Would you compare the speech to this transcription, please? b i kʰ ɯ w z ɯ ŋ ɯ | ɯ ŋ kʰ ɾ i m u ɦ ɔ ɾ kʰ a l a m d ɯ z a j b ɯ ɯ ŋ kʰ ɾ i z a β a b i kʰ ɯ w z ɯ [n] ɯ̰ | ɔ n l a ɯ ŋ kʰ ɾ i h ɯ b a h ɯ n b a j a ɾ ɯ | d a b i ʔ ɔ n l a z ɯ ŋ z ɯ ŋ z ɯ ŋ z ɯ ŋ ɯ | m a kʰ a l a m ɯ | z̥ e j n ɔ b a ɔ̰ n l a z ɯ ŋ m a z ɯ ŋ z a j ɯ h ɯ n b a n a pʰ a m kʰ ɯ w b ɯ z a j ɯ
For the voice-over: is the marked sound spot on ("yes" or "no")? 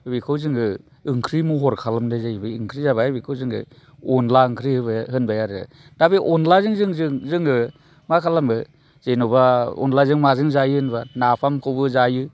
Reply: no